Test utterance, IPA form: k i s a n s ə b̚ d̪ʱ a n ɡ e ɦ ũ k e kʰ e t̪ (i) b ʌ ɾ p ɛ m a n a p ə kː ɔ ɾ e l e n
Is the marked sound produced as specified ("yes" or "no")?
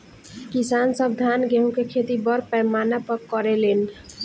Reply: yes